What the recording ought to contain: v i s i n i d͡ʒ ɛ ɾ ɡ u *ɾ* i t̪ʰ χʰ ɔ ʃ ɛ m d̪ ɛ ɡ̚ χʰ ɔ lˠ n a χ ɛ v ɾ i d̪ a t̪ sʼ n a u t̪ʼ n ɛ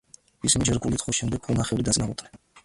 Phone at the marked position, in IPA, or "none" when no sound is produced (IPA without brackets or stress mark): l